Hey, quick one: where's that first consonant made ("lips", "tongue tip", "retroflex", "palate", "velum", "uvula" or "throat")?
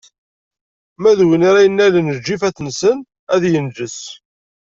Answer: lips